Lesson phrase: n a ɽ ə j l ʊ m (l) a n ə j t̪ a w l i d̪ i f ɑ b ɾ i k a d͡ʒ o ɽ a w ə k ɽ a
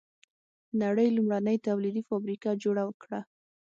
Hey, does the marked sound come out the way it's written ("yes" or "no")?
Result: no